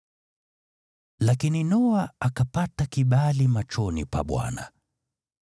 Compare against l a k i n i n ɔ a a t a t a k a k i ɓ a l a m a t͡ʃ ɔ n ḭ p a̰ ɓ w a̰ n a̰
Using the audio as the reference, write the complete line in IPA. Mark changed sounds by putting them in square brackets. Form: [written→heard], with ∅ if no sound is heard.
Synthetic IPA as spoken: l a k i n i n ɔ a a [t→k] a [t→p] a [k→t] a k i ɓ a l [a→i] m a t͡ʃ ɔ n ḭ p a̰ ɓ w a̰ n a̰